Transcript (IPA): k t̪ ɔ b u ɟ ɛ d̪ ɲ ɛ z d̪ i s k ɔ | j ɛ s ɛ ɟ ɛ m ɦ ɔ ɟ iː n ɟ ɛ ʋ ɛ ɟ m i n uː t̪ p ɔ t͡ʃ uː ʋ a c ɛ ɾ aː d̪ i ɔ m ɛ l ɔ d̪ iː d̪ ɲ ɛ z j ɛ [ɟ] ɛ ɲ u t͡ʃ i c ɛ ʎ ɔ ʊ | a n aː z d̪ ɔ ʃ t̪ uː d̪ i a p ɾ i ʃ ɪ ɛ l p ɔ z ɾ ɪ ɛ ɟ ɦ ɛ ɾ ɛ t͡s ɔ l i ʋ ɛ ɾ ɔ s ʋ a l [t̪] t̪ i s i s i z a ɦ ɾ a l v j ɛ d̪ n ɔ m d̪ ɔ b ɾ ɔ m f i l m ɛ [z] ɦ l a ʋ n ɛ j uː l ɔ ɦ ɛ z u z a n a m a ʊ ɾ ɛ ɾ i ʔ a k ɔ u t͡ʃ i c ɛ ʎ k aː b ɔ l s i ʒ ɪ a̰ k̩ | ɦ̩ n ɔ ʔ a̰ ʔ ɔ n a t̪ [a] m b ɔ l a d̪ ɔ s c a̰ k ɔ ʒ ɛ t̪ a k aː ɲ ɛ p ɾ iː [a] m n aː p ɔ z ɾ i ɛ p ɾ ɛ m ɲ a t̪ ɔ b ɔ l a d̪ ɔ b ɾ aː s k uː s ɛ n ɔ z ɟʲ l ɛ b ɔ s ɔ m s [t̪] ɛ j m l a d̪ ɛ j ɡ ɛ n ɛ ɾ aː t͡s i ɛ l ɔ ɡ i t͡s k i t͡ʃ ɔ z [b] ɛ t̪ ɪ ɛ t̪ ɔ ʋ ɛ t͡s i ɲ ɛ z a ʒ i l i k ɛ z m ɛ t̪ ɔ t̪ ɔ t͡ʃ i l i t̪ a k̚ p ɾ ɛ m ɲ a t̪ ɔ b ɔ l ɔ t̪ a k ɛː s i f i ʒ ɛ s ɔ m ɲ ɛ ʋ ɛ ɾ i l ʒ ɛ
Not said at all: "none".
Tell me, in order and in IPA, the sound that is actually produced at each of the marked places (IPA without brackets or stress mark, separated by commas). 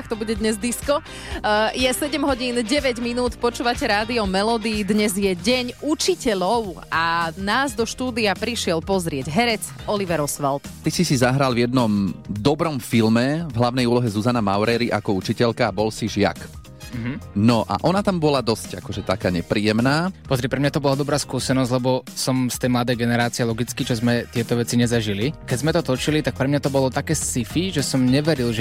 ɟ, t̪, v, a, ɛ, t̪, m